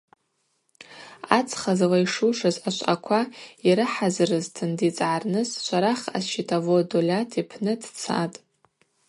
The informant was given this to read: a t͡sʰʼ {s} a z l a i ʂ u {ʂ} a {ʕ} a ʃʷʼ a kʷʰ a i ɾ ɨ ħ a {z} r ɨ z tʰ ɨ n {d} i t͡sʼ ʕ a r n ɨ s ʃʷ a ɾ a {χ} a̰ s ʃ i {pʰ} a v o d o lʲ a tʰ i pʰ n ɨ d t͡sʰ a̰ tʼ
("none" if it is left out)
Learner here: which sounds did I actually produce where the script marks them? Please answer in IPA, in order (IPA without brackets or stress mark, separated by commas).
χ, ʂ, z, z, d, χ, tʰ